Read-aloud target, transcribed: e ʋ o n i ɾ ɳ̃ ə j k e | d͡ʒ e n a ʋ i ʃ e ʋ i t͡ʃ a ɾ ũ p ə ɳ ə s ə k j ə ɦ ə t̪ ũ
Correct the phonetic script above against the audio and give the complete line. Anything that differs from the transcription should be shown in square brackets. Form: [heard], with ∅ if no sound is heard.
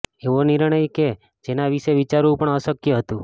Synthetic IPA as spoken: e ʋ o n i ɾ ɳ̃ ə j k e | d͡ʒ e n a ʋ i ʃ e ʋ i t͡ʃ a ɾ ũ p ə ɳ ə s ə k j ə ɦ ə t̪ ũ